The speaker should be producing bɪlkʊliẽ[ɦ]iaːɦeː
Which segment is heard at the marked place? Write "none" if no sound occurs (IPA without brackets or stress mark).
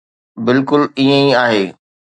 none